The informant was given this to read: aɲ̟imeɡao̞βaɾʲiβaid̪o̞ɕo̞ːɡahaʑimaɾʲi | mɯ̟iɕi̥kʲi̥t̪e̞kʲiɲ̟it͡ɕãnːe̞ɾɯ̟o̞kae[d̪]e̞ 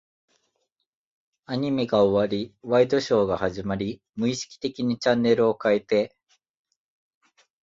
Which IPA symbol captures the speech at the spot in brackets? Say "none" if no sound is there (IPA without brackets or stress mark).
t̪